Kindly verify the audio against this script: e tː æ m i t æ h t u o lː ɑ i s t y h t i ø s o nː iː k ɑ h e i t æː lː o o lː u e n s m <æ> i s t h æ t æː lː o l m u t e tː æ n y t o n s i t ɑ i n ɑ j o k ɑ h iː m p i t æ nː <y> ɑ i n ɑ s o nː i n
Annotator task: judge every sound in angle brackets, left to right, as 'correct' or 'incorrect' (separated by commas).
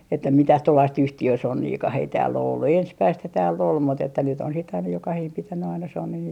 correct, correct